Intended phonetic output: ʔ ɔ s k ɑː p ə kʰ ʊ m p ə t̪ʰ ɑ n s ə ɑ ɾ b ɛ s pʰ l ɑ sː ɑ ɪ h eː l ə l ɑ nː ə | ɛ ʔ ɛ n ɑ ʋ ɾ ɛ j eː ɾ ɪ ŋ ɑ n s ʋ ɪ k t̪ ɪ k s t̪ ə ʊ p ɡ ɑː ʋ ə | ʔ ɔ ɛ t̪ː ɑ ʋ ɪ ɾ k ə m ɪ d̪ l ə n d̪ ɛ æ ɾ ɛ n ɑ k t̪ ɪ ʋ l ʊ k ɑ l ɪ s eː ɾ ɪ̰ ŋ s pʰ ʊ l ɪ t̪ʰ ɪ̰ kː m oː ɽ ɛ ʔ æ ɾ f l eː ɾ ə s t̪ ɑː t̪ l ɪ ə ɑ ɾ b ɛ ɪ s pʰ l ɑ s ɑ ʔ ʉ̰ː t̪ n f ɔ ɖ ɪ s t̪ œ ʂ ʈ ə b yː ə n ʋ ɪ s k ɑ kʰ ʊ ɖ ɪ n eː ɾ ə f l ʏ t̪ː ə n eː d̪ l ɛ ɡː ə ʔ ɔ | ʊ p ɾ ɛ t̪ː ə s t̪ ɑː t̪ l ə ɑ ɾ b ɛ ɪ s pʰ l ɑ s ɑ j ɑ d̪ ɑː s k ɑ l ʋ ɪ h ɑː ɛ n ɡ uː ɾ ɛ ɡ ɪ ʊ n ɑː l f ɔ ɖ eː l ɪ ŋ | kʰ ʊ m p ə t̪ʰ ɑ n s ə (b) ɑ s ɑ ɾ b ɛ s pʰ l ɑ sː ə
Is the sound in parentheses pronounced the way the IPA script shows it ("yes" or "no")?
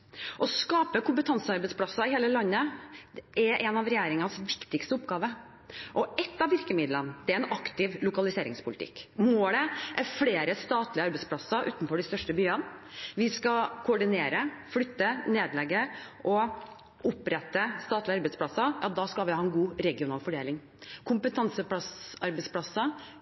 no